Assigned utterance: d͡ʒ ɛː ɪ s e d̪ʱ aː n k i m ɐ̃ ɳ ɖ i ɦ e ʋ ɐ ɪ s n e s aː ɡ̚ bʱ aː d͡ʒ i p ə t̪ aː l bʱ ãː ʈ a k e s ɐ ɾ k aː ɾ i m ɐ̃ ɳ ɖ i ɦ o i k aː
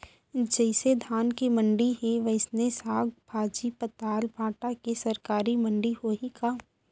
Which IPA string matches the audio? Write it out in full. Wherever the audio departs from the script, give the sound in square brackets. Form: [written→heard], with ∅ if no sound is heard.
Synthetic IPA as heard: d͡ʒ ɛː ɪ s e d̪ʱ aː n k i m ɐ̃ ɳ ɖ i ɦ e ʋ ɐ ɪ s n e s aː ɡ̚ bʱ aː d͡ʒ i p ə t̪ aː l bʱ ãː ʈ a k e s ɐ ɾ k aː ɾ i m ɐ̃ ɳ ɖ i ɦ o i k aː